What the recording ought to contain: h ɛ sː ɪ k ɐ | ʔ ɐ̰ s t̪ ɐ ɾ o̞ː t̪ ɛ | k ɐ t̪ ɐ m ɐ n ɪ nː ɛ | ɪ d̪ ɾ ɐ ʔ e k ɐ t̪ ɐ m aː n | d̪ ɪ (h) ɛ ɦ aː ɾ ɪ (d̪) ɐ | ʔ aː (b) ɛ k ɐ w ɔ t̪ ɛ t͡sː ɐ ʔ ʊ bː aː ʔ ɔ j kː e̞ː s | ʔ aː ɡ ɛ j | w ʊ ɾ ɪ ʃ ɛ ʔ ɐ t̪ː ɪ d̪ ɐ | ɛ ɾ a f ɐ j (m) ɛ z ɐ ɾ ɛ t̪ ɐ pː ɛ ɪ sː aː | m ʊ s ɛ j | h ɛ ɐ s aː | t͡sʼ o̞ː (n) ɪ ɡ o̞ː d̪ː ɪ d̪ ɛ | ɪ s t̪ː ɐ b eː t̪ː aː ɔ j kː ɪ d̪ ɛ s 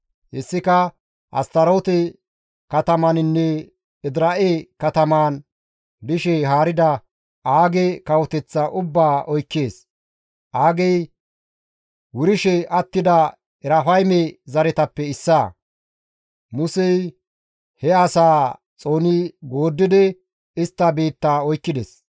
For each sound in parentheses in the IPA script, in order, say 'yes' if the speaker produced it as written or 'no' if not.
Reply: no, yes, no, yes, yes

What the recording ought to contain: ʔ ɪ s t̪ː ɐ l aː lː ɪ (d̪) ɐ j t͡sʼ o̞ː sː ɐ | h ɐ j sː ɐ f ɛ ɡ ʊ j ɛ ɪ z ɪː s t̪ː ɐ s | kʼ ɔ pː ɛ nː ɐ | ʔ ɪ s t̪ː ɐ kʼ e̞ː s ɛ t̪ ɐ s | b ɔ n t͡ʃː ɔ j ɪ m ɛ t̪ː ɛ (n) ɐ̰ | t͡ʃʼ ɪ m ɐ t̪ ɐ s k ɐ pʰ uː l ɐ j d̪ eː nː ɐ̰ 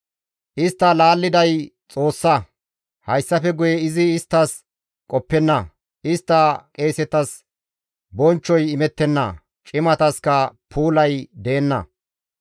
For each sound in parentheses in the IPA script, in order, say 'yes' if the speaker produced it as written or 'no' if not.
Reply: yes, no

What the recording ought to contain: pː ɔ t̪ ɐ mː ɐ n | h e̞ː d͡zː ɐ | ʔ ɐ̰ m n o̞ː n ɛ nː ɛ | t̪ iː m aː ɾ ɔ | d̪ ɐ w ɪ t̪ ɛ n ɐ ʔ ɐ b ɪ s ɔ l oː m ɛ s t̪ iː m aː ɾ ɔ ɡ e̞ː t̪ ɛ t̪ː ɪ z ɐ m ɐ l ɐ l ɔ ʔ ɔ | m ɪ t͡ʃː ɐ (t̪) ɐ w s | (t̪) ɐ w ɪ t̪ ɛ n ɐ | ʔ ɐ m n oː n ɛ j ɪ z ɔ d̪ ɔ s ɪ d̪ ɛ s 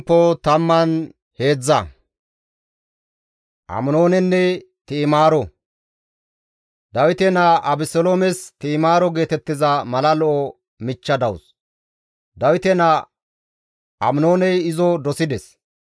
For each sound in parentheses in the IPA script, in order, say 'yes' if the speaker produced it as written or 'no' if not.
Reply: no, no

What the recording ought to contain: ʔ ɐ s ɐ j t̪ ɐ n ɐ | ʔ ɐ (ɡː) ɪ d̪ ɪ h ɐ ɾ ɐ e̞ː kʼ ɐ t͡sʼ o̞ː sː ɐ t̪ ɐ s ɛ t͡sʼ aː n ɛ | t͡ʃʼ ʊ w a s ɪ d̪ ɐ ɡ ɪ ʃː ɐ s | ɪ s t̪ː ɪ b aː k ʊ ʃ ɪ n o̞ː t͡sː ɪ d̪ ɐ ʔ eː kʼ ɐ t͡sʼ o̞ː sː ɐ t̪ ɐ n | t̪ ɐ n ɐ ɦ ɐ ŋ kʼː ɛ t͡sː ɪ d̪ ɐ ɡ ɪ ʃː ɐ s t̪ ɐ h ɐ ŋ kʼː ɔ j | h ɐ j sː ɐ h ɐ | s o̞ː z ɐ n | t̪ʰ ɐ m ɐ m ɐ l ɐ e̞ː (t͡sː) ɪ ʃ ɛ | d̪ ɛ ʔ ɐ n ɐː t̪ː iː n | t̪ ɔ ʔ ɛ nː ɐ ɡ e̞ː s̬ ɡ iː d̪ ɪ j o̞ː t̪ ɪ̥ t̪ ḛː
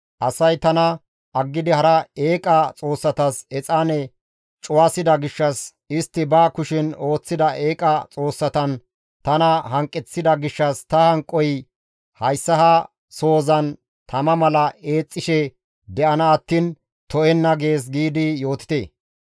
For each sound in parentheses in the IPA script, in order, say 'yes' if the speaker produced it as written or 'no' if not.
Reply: yes, no

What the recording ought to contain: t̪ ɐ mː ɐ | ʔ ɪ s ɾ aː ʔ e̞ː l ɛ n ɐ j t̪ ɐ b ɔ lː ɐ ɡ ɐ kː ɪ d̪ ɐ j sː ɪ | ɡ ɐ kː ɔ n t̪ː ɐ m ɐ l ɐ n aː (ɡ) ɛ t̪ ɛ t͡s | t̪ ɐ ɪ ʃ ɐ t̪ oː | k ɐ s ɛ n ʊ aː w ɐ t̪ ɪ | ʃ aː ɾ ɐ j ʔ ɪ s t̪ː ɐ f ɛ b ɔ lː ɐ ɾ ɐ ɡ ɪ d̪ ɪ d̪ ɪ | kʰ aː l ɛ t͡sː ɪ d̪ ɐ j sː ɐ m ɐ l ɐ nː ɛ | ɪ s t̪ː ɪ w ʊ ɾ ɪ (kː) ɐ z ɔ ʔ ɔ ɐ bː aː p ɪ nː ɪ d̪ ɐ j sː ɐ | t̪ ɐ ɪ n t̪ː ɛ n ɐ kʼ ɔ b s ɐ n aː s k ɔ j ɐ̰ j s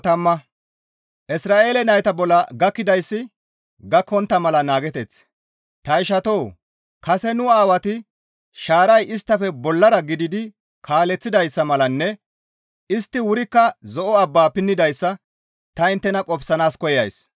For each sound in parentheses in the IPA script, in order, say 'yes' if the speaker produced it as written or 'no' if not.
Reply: yes, yes

